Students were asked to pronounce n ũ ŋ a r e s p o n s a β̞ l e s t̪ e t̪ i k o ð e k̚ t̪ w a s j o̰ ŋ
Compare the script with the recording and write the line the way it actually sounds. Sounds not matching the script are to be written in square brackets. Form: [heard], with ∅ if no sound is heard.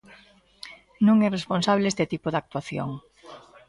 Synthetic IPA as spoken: n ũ ŋ [ɛ] r e s p o n s a β̞ l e s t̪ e t̪ i [p] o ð [a] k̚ t̪ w a [θ] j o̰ ŋ